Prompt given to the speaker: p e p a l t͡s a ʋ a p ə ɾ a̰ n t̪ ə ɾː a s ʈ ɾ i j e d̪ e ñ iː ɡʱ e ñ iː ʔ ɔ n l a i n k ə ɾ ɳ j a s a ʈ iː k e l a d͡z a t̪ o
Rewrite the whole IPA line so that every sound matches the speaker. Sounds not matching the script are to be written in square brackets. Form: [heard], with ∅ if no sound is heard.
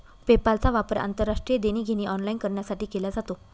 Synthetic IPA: p e p a l t͡s a ʋ a p ə ɾ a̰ n t̪ ə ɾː a [ʂ] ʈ ɾ i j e d̪ e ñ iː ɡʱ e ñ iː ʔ ɔ n l a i n k ə ɾ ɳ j a s a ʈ iː k e l a d͡z a t̪ o